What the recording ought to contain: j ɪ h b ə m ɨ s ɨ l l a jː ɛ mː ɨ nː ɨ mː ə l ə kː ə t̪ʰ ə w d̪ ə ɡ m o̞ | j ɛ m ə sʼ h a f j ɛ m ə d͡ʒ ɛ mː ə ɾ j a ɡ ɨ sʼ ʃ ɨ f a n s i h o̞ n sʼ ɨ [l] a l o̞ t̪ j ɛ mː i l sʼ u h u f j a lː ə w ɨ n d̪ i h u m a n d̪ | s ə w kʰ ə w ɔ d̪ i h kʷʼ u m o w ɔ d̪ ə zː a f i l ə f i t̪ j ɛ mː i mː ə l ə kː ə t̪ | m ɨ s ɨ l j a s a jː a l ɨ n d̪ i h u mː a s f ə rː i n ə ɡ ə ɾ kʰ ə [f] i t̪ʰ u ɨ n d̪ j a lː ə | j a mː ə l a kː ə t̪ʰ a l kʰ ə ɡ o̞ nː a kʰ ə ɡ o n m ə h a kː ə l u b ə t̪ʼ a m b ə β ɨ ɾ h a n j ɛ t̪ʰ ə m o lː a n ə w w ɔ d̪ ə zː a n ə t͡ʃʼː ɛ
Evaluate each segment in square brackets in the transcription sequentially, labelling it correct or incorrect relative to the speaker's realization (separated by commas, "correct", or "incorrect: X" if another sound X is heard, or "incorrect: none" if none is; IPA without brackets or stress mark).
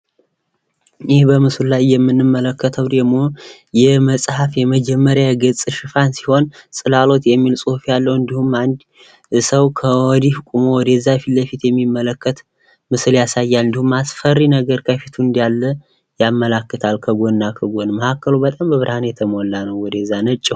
correct, correct